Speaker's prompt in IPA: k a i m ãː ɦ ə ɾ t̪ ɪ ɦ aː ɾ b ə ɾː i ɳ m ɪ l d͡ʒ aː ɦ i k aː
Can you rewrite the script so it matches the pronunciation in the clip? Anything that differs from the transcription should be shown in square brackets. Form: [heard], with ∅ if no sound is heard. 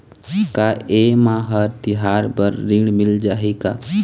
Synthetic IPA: k a [e] m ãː ɦ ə ɾ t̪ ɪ ɦ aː ɾ b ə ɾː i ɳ m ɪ l d͡ʒ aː ɦ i k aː